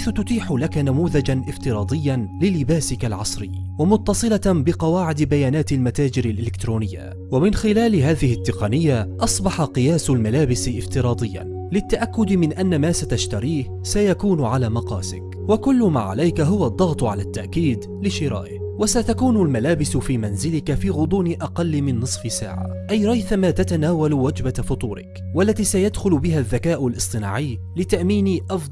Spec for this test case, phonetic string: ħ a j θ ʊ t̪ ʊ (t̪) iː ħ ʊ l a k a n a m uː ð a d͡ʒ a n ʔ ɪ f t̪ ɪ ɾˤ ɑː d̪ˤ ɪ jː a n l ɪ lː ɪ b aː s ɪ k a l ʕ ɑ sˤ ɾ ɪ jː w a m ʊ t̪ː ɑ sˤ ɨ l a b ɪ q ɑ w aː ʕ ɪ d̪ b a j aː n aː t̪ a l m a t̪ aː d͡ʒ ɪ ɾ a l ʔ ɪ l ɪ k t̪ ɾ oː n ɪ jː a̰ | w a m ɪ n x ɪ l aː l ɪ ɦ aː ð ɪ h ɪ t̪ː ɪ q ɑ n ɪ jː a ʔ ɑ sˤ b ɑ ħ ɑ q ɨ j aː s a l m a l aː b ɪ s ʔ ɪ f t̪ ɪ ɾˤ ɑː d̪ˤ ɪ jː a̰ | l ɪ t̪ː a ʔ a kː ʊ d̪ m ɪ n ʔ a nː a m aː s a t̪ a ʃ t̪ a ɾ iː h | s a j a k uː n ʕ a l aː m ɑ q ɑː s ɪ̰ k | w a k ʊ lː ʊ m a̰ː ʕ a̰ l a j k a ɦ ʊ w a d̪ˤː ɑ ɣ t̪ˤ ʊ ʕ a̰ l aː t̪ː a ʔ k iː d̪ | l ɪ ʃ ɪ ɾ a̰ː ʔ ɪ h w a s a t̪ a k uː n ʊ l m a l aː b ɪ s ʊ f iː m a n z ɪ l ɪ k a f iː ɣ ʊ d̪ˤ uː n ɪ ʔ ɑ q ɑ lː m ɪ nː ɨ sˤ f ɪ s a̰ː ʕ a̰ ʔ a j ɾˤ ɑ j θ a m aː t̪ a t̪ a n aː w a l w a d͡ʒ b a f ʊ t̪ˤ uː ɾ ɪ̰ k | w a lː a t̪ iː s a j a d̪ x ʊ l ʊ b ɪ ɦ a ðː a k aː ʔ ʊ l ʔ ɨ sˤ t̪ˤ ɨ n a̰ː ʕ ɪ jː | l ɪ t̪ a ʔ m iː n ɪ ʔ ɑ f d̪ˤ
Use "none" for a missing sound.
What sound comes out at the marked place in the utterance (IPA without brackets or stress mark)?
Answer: t̪